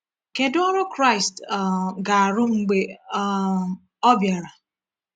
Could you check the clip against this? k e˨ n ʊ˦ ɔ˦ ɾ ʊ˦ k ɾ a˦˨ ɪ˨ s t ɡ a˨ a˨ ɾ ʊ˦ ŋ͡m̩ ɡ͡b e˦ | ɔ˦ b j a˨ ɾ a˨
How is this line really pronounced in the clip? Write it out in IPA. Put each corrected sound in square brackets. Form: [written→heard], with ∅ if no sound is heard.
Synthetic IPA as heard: k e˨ [n→d] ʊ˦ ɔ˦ ɾ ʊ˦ k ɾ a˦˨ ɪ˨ s t ɡ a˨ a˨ ɾ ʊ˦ ŋ͡m̩ ɡ͡b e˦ | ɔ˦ b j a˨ ɾ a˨